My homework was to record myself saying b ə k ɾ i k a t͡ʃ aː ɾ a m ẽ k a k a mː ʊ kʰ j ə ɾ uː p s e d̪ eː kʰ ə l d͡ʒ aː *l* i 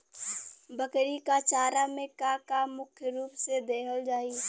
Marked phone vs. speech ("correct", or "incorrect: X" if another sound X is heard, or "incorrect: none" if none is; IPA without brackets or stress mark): incorrect: none